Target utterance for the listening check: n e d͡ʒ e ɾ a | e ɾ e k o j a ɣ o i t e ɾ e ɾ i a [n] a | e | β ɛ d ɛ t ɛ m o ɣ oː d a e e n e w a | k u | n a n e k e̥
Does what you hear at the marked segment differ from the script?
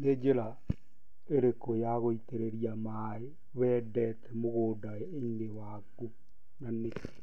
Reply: yes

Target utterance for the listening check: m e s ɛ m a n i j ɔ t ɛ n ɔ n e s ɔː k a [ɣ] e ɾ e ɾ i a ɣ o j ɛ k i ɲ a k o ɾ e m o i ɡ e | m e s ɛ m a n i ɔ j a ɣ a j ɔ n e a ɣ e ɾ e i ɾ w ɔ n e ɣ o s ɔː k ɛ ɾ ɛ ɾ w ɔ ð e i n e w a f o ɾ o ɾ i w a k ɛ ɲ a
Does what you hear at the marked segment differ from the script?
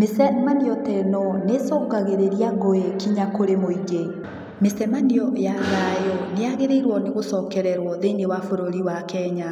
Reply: no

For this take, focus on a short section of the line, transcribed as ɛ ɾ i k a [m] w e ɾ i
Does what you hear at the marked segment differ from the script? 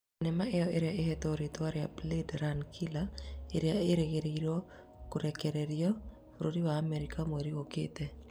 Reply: no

